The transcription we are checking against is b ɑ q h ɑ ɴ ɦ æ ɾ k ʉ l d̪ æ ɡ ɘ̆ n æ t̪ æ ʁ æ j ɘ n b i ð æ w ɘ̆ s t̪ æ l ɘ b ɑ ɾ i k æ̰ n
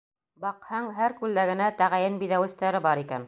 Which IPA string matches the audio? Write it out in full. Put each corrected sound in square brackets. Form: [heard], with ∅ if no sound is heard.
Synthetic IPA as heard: b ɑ q h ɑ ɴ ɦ æ ɾ k ʉ l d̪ æ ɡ ɘ̆ n æ t̪ æ ʁ æ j ɘ n b i ð æ w ɘ̆ s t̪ æ [ɾ] ɘ b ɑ ɾ i k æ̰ n